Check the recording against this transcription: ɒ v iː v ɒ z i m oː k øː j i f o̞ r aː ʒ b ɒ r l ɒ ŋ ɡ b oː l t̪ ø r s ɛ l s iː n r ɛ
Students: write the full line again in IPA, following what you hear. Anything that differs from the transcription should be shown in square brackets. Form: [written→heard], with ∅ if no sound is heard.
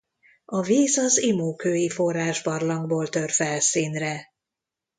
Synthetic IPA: ɒ v iː [v→z] ɒ z i m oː k øː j i f o̞ r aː ʒ b ɒ r l ɒ ŋ ɡ b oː l t̪ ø r [s→f] ɛ l s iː n r ɛ

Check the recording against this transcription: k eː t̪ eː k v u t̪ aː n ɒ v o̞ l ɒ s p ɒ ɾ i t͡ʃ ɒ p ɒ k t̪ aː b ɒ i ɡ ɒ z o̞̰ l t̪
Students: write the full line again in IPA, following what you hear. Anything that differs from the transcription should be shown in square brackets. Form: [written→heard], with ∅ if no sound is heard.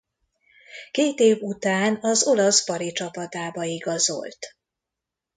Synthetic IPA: k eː t̪ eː [k→∅] v u t̪ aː n ɒ [v→z] o̞ l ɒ s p ɒ ɾ i t͡ʃ ɒ p ɒ [k→∅] t̪ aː b ɒ i ɡ ɒ z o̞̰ l t̪

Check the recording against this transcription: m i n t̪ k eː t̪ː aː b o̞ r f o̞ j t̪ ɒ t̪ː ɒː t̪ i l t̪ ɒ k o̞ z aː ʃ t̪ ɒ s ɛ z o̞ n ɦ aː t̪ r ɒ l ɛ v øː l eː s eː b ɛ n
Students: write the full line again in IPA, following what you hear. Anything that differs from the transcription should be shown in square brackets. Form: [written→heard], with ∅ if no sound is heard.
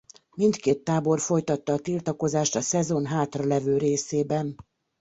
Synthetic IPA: m i n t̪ k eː t̪ː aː b o̞ r f o̞ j t̪ ɒ t̪ː ɒː t̪ i l t̪ ɒ k o̞ z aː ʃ t̪ ɒ s ɛ z o̞ n ɦ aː t̪ r ɒ l ɛ v øː [l→ɾ] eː s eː b ɛ n

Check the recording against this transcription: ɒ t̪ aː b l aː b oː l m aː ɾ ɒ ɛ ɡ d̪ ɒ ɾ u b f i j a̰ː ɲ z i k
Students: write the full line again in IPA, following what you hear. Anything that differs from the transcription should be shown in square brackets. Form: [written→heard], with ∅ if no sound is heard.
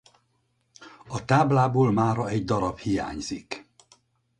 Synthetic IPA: ɒ t̪ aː b l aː b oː l m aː ɾ ɒ ɛ [ɡ→ɟ] d̪ ɒ ɾ [u→ɒ] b [f→h] i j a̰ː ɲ z i k

